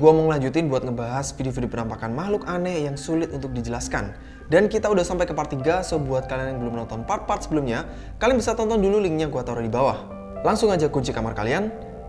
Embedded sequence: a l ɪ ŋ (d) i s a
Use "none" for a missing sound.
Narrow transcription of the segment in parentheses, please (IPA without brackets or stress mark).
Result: b